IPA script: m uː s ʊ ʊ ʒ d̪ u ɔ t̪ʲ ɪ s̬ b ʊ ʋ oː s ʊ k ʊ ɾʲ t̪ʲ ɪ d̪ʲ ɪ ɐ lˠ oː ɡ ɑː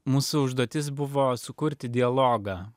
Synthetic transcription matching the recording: m uː s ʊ ʊ ʒ d̪ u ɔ t̪ʲ ɪ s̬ b ʊ ʋ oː s ʊ k ʊ ɾʲ t̪ʲ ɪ d̪ʲ ɪ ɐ lˠ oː ɡ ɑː